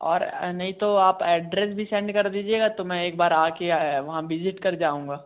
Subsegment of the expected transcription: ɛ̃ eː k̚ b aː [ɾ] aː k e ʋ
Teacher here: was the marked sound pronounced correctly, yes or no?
yes